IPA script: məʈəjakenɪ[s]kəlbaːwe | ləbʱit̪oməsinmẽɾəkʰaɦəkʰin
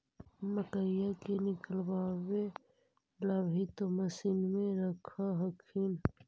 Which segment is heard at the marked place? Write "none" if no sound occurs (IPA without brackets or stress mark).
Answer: none